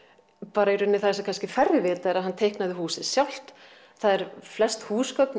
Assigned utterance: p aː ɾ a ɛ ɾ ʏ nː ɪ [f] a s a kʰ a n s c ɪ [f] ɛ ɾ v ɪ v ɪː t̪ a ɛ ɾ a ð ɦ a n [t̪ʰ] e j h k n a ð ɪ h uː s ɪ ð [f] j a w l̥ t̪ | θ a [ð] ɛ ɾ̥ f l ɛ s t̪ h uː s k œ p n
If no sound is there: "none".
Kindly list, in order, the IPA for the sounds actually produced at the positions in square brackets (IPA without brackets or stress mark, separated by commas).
θ, f, t̪ʰ, s, ð